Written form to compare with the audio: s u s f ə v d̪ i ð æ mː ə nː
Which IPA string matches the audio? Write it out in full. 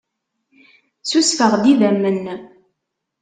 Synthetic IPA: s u s f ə ʁ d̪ i ð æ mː ə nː